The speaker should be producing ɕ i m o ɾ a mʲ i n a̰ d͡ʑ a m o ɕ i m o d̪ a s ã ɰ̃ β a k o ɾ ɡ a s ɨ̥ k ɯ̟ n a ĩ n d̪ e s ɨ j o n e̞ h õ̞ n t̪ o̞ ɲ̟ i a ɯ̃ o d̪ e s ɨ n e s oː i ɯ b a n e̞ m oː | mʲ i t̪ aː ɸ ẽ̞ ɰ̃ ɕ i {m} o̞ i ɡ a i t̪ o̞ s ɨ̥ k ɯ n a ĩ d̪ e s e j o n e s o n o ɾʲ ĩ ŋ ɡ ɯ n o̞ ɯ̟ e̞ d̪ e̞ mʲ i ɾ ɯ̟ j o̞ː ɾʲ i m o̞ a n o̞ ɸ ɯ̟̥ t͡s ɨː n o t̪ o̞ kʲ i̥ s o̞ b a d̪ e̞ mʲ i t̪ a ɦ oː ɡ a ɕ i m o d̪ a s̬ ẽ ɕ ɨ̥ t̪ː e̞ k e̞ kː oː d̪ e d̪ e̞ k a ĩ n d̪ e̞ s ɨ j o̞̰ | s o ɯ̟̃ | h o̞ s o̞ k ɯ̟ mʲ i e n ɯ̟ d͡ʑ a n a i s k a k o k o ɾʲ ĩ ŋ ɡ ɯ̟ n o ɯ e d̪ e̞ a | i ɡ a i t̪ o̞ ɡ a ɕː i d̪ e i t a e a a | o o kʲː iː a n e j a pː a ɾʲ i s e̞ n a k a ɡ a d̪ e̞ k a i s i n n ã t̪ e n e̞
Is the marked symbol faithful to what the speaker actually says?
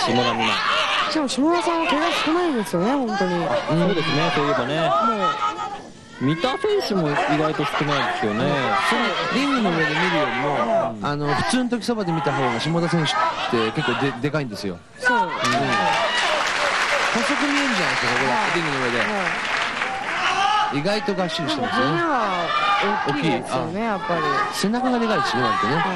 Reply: yes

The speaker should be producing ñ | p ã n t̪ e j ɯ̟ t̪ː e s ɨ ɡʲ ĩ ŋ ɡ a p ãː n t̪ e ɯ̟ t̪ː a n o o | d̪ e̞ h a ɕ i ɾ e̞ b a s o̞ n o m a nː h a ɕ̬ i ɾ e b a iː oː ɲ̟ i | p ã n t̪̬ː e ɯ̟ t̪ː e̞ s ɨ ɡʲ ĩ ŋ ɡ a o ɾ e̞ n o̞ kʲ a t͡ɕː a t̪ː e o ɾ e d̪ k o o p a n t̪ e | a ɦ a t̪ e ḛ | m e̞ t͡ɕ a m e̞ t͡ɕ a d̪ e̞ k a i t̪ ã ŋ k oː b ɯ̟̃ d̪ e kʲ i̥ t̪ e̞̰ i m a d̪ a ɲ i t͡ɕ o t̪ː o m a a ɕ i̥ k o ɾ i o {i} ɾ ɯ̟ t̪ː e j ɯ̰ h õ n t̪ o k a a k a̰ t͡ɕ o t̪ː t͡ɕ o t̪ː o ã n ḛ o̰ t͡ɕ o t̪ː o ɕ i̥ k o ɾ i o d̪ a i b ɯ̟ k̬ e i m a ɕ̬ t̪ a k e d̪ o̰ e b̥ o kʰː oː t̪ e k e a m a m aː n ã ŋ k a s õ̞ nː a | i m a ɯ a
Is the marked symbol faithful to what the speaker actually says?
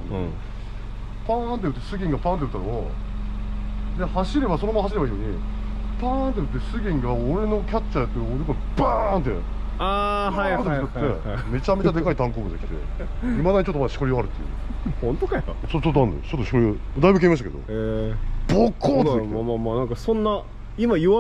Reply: no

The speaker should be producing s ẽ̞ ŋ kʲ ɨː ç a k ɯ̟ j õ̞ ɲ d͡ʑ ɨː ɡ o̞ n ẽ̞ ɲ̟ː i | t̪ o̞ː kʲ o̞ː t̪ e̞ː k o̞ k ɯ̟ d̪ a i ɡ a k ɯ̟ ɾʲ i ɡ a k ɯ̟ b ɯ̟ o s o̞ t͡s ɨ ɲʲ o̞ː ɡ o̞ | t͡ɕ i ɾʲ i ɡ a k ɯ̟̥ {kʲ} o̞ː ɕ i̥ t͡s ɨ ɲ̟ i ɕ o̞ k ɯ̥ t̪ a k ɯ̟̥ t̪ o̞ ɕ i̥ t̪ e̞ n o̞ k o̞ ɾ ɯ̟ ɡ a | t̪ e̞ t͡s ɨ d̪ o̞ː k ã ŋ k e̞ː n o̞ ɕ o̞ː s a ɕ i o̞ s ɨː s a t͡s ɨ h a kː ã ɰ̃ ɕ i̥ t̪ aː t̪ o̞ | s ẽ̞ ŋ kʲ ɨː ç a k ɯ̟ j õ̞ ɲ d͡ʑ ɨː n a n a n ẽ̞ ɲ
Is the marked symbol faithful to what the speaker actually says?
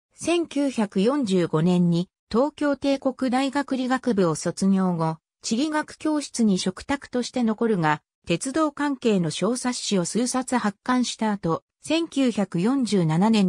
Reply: yes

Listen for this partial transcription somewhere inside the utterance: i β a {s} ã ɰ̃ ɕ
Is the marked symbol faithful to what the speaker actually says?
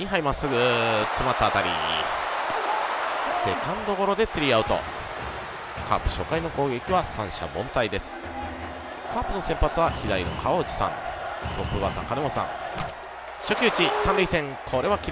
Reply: yes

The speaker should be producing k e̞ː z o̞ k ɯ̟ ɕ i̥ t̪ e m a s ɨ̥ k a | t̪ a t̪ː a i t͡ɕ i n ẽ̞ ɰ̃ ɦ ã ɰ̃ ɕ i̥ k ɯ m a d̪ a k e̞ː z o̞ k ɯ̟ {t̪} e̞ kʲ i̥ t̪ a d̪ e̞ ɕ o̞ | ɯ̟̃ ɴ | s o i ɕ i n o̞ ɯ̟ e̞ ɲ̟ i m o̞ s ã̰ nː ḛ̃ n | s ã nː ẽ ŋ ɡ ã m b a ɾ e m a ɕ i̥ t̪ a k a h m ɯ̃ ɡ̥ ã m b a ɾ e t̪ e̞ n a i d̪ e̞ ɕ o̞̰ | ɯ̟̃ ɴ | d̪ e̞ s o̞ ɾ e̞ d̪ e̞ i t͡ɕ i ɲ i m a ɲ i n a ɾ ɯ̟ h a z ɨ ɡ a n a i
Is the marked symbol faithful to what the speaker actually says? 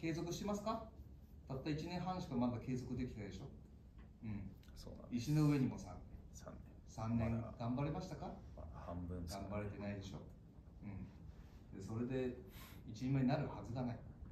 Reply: no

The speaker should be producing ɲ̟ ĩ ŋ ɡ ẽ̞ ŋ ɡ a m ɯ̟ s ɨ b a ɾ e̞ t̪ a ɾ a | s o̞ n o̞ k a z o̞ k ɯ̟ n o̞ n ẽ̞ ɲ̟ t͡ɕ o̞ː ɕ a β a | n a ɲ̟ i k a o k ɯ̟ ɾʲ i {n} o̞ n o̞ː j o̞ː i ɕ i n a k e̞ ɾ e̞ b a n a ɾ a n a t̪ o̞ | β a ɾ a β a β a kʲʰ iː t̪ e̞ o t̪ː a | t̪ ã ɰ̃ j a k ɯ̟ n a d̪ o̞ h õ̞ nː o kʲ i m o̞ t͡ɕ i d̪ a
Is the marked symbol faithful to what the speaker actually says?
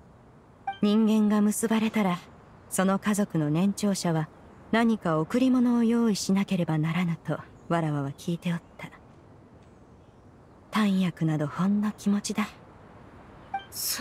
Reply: no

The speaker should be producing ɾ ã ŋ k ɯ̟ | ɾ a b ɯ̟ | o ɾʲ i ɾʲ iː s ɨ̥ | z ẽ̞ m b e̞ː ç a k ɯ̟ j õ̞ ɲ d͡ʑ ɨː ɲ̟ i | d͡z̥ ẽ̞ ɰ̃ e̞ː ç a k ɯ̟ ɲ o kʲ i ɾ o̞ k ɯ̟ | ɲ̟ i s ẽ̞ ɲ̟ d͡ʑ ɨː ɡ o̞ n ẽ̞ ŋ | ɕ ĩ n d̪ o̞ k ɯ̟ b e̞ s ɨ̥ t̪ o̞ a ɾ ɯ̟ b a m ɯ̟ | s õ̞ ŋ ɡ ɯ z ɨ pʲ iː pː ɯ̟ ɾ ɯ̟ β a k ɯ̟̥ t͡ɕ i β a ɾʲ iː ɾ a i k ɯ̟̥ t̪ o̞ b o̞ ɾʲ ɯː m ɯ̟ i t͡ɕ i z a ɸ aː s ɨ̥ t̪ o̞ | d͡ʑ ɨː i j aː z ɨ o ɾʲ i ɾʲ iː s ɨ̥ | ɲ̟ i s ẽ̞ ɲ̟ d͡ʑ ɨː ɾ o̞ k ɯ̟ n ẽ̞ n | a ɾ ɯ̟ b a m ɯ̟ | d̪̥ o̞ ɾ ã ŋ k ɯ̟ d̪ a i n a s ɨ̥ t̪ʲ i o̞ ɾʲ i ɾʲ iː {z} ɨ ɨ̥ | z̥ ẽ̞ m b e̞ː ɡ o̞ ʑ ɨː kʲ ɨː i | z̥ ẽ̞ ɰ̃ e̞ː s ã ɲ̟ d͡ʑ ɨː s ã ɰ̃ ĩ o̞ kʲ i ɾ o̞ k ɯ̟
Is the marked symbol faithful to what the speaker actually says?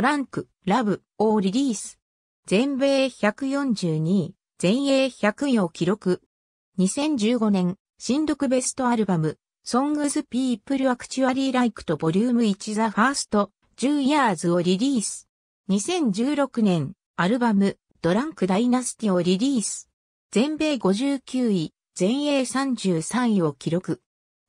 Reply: no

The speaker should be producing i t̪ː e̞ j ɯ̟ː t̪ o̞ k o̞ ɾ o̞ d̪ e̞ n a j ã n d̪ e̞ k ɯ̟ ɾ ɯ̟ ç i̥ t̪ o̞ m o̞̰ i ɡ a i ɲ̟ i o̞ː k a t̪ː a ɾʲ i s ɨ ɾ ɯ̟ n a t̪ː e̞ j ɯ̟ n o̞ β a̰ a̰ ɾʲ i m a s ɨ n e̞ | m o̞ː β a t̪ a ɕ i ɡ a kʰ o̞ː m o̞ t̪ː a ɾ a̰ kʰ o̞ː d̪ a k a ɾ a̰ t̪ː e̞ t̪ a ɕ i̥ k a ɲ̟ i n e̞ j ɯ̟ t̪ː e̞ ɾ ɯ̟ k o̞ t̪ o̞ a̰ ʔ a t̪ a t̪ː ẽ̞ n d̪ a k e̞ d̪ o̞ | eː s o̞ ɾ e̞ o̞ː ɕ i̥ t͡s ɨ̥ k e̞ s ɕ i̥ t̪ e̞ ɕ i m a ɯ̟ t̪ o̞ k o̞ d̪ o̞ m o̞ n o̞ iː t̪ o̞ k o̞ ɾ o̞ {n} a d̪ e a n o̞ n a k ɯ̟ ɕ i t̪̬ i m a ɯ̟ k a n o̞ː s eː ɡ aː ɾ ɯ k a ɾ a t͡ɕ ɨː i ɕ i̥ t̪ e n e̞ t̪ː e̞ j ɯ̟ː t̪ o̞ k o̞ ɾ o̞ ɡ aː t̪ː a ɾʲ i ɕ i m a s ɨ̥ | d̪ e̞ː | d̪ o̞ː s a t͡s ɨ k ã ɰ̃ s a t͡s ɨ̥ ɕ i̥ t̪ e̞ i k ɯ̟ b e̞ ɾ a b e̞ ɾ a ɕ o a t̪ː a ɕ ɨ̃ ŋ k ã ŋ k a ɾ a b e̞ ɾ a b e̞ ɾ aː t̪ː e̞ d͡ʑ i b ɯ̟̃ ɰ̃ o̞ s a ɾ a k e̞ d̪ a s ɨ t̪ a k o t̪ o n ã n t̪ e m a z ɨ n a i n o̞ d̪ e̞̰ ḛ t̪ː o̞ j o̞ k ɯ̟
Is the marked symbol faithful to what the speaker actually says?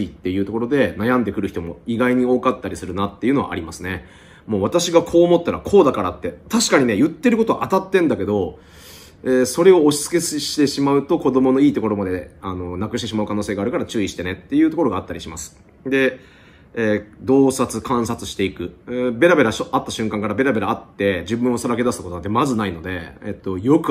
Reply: no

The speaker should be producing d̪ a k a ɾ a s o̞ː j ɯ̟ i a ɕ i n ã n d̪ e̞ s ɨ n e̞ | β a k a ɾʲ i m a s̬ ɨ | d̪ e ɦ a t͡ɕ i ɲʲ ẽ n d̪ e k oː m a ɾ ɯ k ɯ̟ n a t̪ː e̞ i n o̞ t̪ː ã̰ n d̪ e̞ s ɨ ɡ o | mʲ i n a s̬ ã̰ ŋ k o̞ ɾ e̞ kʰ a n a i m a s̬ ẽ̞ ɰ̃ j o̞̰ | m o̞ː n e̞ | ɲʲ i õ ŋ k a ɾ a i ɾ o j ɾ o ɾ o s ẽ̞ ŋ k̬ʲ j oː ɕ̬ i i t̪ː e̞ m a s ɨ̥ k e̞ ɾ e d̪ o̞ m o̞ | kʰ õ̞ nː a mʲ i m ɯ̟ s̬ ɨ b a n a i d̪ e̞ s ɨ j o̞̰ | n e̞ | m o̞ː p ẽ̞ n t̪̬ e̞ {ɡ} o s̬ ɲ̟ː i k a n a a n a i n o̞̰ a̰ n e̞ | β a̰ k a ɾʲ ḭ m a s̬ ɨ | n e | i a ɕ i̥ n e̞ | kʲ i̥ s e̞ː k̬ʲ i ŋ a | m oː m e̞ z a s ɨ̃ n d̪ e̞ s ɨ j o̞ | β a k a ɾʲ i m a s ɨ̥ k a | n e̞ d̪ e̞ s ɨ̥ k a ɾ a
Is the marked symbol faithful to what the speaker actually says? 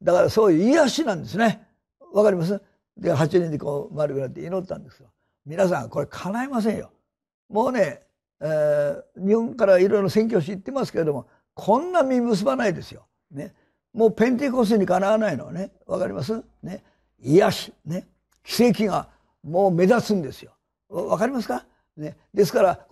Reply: no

